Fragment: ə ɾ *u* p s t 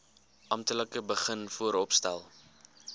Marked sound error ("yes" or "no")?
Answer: yes